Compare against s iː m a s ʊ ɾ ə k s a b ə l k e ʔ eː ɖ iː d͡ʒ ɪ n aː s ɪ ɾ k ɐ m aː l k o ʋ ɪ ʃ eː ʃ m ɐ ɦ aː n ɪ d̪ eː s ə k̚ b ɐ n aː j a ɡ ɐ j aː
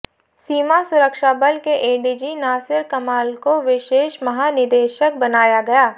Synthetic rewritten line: s iː m a s ʊ ɾ ə k ʃ a b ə l k e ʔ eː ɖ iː d͡ʒ i n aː s ɪ ɾ k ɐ m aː l k o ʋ ɪ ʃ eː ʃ m ɐ ɦ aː n ɪ d̪ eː ʃ ə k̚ b ɐ n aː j a ɡ ɐ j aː